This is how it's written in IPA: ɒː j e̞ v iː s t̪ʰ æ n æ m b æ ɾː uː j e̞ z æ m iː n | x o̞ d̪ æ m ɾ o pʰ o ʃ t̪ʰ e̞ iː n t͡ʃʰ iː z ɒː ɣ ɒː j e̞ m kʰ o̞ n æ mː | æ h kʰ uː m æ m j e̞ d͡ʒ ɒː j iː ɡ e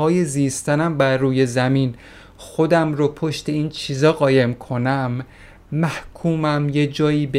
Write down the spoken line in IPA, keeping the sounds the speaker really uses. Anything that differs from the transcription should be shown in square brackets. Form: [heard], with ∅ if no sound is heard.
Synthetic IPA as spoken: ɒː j e̞ [z] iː s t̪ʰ æ n æ m b æ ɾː uː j e̞ z æ m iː n | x o̞ d̪ æ m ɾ o pʰ o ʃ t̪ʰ e̞ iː n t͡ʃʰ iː z ɒː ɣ ɒː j e̞ m kʰ o̞ n æ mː | æ h kʰ uː m æ m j e̞ d͡ʒ ɒː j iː [b] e